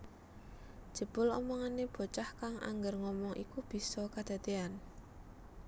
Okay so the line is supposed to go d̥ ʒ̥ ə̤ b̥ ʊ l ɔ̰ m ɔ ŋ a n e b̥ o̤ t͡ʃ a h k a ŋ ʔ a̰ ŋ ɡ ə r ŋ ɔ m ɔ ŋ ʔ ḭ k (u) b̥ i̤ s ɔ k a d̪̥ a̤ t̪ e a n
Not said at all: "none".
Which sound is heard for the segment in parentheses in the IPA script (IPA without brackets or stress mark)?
u